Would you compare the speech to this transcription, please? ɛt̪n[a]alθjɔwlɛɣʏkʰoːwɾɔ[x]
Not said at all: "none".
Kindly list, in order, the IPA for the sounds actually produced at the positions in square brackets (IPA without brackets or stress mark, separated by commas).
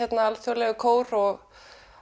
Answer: a, ɣ